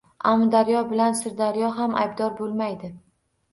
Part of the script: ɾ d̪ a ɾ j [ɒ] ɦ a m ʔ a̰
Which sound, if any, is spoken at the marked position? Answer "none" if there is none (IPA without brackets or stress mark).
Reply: ɒ